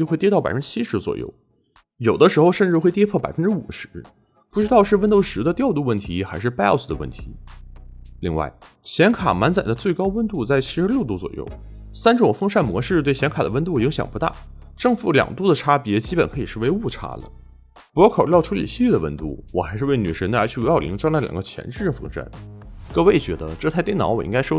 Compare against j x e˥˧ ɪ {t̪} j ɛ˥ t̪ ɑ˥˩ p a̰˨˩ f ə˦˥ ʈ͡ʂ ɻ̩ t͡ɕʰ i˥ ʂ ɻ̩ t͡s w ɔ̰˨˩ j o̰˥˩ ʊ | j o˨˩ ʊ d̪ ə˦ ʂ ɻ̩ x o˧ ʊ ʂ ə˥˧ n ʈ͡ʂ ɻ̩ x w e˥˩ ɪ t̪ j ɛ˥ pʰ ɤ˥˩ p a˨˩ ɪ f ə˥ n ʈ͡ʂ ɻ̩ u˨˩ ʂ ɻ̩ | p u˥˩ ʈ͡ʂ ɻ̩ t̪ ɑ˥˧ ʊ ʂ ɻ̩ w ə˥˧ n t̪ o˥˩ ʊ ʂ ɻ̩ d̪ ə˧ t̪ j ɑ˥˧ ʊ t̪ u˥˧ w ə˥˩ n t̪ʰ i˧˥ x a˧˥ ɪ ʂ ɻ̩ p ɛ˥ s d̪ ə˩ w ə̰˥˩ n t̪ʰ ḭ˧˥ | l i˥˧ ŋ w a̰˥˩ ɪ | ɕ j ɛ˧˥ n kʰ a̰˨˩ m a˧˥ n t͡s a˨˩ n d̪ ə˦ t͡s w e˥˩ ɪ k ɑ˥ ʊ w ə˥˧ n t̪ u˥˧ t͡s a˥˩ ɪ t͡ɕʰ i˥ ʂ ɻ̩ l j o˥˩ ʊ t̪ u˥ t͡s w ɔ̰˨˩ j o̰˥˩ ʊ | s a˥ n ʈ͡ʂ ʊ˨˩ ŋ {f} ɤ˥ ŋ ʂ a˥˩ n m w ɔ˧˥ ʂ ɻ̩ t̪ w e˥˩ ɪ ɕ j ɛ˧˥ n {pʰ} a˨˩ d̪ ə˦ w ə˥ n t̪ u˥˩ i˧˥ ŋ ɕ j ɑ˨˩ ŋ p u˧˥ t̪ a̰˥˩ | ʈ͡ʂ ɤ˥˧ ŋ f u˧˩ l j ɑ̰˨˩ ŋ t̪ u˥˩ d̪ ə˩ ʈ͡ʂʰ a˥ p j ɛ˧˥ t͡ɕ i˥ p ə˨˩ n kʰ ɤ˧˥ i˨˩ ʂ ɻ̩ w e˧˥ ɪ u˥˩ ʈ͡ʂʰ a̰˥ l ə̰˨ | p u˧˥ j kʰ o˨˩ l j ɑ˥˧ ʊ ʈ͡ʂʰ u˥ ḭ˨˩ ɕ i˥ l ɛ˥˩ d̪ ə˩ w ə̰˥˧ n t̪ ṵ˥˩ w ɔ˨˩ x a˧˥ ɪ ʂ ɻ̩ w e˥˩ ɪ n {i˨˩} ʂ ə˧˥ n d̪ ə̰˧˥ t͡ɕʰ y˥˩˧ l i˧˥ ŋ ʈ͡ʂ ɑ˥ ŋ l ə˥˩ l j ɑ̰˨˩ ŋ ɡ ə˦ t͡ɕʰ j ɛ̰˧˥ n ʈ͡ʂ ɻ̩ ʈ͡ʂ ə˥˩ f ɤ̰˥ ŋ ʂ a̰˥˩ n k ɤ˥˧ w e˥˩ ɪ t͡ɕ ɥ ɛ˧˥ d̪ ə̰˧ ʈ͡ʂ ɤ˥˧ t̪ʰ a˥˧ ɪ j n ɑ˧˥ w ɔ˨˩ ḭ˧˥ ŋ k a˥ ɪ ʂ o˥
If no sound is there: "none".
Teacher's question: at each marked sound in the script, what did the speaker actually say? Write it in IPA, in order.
t̪, f, kʰ, y˨˩

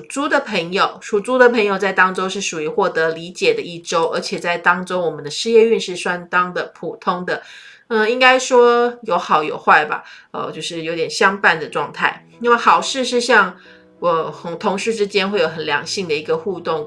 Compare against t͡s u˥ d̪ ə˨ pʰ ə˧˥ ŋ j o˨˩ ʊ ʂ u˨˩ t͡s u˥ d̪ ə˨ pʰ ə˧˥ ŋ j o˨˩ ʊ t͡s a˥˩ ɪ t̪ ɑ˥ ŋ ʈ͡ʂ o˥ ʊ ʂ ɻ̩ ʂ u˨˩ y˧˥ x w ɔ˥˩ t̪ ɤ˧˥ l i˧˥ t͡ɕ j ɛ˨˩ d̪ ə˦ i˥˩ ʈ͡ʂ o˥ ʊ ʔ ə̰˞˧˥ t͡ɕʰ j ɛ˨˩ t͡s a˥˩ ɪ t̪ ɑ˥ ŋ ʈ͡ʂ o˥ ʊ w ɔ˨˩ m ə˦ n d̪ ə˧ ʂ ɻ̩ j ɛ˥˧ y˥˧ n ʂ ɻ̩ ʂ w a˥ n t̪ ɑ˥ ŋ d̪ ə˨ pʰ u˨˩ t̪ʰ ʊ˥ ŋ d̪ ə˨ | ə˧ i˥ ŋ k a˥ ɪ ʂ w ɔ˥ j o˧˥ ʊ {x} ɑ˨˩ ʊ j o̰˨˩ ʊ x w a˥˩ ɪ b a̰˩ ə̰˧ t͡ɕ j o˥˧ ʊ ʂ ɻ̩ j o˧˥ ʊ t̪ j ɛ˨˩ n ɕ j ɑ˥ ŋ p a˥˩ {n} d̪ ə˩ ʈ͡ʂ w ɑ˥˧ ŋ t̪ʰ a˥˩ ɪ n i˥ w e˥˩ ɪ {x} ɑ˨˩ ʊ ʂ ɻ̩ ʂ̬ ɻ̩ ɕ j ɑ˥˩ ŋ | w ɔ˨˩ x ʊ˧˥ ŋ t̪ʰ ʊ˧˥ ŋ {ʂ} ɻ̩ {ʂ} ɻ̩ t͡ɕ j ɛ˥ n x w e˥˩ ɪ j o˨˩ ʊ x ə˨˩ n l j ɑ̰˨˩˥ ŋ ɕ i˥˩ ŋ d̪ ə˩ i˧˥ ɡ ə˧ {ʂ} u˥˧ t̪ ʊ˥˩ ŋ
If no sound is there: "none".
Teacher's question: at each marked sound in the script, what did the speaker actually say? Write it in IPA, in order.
x, n, x, ʂ, ʈ͡ʂ, x

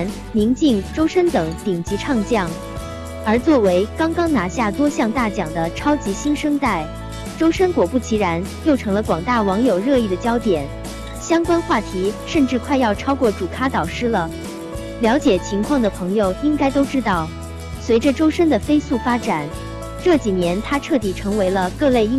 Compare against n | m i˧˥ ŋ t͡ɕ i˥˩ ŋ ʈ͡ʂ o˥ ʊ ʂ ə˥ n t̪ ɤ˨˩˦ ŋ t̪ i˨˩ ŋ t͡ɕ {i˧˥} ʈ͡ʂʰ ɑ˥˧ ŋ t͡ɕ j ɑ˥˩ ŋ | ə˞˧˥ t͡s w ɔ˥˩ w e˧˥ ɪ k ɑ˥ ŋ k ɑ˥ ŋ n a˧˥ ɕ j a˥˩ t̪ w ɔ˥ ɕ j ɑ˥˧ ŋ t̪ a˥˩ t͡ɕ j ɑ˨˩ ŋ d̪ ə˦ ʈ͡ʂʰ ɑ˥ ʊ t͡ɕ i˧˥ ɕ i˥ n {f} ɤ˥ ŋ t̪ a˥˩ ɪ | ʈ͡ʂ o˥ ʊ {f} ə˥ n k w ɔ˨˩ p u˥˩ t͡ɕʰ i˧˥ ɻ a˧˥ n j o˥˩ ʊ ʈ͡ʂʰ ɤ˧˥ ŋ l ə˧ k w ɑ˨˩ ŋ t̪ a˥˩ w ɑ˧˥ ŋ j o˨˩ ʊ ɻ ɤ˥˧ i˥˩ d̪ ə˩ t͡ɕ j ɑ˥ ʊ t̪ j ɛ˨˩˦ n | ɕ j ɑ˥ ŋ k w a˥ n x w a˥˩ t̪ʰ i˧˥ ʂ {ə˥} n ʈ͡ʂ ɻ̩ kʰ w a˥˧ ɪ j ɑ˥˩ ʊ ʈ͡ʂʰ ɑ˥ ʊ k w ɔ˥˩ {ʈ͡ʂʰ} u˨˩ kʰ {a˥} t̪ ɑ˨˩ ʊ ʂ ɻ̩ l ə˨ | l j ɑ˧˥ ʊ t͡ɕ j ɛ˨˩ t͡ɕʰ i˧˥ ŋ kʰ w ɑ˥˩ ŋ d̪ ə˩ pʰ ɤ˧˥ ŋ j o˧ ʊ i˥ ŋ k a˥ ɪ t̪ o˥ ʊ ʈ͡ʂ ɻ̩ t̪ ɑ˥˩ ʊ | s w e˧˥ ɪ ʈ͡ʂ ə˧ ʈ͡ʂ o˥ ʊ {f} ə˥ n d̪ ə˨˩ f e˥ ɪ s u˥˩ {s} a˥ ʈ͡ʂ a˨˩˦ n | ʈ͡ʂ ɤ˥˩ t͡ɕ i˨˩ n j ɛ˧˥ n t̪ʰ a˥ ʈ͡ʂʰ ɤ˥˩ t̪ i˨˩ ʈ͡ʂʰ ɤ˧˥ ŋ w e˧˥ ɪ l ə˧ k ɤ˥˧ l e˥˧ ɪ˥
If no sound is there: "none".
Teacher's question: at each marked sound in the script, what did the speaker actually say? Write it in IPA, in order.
i˧˥, ʂ, ʂ, ə˥˧, ʈ͡ʂ, a˥, ʂ, f

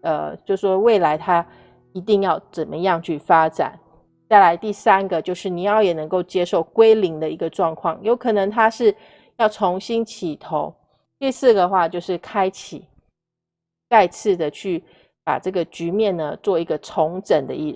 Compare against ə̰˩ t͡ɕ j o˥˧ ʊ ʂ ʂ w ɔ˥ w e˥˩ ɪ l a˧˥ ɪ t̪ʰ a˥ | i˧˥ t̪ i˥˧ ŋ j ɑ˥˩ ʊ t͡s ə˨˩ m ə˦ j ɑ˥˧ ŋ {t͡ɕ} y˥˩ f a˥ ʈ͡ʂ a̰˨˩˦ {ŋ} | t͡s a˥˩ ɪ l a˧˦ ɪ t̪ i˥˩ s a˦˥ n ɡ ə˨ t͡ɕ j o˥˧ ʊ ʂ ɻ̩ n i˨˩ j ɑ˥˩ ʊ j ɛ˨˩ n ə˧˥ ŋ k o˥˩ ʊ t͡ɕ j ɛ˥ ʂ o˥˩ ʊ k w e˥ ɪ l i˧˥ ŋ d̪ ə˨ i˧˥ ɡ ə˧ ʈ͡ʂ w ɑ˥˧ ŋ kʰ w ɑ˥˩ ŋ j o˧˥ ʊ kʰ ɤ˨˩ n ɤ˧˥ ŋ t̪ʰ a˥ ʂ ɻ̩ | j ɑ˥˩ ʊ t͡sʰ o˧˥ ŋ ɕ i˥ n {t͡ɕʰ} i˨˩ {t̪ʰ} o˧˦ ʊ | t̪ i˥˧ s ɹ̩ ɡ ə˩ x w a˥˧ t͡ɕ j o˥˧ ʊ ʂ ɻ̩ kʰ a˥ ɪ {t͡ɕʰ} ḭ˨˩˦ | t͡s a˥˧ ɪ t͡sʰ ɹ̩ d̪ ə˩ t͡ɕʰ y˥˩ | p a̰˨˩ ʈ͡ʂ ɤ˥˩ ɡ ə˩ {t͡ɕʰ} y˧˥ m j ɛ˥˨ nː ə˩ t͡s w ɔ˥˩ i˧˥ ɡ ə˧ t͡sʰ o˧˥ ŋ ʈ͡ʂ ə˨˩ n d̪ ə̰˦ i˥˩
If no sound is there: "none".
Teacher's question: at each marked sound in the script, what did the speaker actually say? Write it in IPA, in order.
t͡ɕʰ, n, t͡ɕʰ, t̪ʰ, t͡ɕʰ, t͡ɕ

